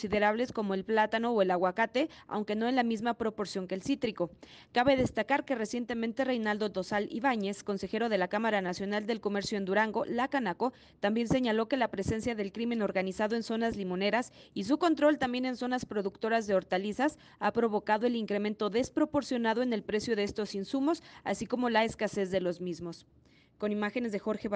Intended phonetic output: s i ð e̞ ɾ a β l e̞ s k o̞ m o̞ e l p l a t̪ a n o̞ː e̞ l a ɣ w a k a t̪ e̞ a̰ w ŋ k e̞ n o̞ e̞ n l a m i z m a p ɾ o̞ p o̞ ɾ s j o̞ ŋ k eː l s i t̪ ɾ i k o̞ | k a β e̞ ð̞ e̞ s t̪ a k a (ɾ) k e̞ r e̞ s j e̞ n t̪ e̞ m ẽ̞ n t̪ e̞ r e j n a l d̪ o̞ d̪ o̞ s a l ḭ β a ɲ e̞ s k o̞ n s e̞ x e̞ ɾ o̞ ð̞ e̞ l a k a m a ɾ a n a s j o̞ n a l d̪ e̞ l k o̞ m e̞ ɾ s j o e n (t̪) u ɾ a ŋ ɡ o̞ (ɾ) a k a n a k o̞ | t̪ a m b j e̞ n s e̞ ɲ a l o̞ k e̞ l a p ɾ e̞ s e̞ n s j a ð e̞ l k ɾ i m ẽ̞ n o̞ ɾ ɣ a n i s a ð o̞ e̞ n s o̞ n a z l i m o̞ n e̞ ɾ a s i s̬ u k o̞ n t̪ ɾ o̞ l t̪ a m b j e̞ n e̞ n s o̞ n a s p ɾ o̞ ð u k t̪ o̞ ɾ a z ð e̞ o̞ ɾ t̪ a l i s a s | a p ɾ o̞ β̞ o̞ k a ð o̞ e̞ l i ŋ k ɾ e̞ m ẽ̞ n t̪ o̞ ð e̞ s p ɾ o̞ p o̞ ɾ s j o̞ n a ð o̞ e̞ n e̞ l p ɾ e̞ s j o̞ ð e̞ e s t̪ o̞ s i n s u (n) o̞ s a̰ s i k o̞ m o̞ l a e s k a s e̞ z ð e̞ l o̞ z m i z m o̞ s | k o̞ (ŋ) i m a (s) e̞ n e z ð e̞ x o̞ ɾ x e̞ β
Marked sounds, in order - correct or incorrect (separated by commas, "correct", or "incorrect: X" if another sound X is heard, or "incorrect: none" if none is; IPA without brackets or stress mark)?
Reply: correct, incorrect: d̪, incorrect: l, incorrect: m, incorrect: n, incorrect: x